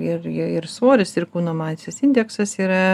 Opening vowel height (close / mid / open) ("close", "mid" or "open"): close